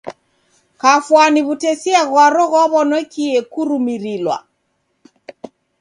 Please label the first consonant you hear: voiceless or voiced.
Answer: voiceless